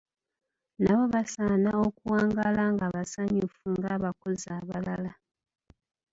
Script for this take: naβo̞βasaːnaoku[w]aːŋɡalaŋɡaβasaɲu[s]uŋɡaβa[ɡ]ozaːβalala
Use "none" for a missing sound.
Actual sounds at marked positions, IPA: w, f, k

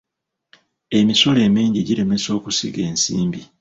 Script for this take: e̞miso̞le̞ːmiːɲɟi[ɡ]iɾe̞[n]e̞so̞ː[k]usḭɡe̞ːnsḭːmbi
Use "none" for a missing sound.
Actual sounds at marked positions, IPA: ɟ, m, k

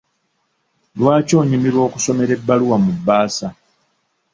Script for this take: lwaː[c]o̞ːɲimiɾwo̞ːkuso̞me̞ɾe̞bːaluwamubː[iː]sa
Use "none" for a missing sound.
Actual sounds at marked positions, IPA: c, aː

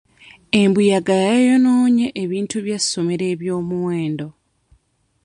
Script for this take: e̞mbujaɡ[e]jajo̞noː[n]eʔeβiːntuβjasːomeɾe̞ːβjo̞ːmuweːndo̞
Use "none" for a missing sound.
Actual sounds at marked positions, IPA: a, ɲ

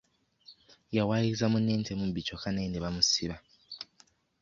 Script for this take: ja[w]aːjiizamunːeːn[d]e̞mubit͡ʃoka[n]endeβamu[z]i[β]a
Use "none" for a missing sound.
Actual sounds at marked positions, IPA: w, t, n, s, β

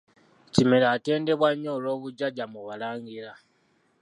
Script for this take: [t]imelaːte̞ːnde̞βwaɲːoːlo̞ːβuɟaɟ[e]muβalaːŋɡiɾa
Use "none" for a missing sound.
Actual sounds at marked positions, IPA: c, a

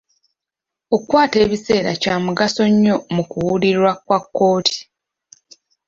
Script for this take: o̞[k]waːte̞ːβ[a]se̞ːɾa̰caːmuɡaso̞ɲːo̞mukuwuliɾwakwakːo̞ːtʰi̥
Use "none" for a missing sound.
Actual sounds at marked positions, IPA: k, i

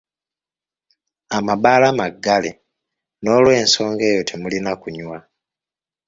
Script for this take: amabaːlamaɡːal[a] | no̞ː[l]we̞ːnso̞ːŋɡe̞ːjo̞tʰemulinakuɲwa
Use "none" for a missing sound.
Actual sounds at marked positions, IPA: e, l

